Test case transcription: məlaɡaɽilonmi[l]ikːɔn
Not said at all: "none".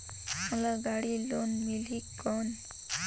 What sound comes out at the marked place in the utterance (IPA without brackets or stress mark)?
l